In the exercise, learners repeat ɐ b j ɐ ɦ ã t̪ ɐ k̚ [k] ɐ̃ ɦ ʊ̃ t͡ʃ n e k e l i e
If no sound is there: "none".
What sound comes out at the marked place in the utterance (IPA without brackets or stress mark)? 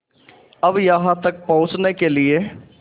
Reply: p